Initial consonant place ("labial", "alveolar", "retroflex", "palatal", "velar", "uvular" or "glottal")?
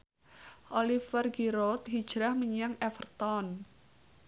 alveolar